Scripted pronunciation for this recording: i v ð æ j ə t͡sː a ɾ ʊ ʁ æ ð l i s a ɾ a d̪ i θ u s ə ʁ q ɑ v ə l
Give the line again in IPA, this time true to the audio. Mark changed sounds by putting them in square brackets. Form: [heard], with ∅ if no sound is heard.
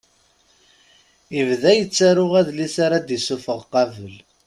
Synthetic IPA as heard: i v ð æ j ə t͡sː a ɾ ʊ ʁ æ ð l i s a ɾ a d̪ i [s] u [f] ə ʁ q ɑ v ə l